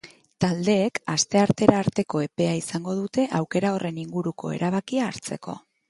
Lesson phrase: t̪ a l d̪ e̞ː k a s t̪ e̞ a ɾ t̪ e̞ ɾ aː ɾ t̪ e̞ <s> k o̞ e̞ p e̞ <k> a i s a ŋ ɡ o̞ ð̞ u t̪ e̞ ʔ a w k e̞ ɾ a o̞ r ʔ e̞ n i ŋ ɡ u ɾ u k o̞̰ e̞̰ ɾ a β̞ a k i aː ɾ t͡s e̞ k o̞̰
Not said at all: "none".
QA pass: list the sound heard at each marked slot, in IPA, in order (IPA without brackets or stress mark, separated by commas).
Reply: none, none